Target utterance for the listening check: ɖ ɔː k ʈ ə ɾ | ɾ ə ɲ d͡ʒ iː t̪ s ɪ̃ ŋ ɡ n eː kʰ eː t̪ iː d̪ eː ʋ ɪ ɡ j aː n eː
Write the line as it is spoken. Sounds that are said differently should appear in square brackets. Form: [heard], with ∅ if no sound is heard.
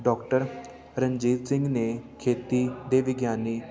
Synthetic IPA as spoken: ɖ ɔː k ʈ ə ɾ | ɾ ə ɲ d͡ʒ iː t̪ s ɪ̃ ŋ ɡ n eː kʰ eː t̪ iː d̪ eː ʋ ɪ ɡ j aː n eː

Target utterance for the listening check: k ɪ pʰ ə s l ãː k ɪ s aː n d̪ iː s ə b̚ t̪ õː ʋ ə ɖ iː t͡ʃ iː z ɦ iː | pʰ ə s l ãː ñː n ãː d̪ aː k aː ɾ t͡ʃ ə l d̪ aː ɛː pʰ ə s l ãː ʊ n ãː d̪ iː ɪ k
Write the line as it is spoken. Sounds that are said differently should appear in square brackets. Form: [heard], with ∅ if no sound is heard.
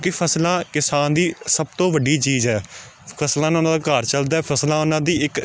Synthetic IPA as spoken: k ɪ pʰ ə s l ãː k ɪ s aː n d̪ iː s ə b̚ t̪ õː ʋ ə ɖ iː t͡ʃ iː z ɦ [ɛː] | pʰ ə s l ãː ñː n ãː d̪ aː k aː ɾ t͡ʃ ə l d̪ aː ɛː pʰ ə s l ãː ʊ n ãː d̪ iː ɪ k

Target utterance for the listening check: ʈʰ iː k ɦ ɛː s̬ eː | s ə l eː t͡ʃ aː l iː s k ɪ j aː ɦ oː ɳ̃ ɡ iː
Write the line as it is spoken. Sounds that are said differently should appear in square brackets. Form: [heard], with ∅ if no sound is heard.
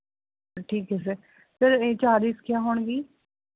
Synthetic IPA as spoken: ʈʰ iː k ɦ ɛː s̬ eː | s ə [ɾ] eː t͡ʃ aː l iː s k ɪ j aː ɦ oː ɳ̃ ɡ iː

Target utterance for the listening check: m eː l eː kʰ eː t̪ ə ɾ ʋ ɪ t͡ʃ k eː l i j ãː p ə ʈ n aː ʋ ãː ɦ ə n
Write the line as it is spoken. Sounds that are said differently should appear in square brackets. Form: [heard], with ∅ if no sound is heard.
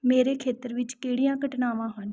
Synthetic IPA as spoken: m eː [ɾ] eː kʰ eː t̪ ə ɾ ʋ ɪ t͡ʃ k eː [ɽ] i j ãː [k] ə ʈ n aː ʋ ãː ɦ ə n

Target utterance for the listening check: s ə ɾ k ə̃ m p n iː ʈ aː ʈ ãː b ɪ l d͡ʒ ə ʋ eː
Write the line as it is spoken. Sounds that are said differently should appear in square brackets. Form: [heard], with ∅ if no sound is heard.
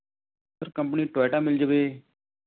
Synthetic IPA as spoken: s ə ɾ k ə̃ m p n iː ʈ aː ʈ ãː [m] ɪ l d͡ʒ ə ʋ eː

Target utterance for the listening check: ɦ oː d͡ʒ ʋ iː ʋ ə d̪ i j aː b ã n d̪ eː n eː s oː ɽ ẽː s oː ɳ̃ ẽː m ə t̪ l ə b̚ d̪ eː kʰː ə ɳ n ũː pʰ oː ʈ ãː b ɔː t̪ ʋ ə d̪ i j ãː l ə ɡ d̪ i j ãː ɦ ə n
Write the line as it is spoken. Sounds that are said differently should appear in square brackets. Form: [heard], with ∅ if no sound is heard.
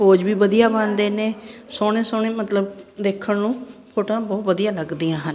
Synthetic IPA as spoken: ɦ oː d͡ʒ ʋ iː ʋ ə d̪ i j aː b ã n d̪ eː n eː s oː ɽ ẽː s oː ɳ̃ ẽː m ə t̪ l ə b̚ d̪ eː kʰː ə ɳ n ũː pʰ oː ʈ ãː b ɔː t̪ ʋ ə d̪ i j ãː l ə ɡ d̪ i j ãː ɦ ə n

